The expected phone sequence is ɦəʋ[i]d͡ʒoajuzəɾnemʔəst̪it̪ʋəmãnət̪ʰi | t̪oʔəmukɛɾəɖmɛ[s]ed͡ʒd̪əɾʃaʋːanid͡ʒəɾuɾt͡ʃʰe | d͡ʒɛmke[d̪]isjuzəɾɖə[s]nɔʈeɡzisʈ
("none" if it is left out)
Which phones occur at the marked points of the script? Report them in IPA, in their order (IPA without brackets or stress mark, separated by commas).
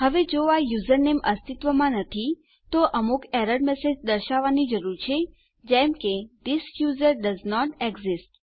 e, s, d̪, z